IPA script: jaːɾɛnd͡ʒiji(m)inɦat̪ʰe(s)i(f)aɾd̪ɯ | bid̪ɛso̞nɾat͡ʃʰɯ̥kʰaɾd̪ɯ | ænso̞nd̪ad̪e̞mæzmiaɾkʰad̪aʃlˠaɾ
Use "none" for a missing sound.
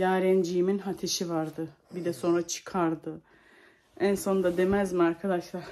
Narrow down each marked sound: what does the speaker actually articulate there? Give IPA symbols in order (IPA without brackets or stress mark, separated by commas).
m, ʃ, v